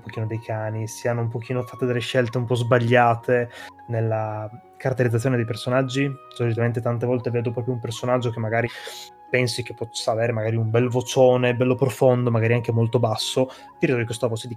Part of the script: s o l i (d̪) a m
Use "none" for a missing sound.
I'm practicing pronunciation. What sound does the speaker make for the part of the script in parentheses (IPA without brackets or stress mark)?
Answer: t̪